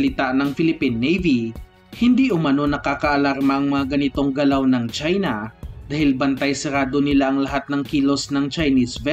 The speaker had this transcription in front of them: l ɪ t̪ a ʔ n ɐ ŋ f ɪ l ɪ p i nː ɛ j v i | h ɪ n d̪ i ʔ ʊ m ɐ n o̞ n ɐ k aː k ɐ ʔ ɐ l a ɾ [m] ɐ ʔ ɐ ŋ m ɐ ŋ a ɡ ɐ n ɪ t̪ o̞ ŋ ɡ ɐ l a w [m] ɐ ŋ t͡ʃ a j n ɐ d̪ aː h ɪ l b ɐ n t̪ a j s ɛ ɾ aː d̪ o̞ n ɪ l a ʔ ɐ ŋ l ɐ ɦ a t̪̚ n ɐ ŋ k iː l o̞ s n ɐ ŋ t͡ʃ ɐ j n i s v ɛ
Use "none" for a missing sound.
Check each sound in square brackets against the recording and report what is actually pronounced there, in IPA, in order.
m, n

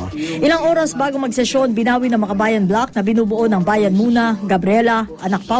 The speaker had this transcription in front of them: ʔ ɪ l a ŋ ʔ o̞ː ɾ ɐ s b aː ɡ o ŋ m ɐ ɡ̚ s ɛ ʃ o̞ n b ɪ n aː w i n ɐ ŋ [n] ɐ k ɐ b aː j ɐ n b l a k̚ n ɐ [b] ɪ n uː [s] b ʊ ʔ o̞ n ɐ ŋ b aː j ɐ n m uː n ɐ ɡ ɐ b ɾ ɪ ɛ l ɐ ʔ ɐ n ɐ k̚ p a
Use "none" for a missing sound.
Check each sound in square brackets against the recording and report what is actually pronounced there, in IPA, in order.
m, b, none

